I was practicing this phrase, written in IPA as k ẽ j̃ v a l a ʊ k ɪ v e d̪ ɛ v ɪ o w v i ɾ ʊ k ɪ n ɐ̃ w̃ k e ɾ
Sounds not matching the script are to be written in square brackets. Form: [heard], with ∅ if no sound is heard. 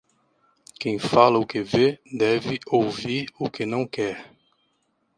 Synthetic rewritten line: k ẽ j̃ [f] a l [ɐ] ʊ k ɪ v e d̪ ɛ v ɪ o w v i ɾ ʊ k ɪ n ɐ̃ w̃ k [ɛ] ɾ